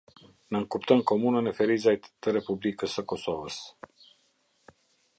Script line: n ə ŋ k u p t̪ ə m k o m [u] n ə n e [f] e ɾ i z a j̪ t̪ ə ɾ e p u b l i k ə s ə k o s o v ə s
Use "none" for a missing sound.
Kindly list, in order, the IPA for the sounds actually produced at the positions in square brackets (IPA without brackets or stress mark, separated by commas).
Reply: u, f